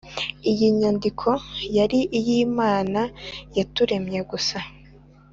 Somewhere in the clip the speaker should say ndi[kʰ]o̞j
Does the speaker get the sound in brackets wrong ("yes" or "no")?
no